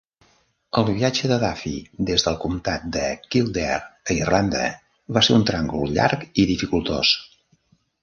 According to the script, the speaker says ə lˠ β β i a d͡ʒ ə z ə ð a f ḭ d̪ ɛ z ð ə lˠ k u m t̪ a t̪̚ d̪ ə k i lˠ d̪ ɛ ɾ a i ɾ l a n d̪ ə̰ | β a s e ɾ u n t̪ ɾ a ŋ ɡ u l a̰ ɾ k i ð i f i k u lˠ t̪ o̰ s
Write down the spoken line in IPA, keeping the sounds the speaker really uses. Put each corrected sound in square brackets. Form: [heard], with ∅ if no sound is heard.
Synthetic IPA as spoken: ə lˠ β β i a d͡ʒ ə [ð] ə ð a f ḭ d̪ [e] z ð ə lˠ k u m t̪ a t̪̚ d̪ ə k i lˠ d̪ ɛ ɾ [ə] i [r] l a n d̪ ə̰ | β a s e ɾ u n t̪ ɾ a ŋ ɡ u [ʎ] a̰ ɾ k i ð i f i k u lˠ t̪ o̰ s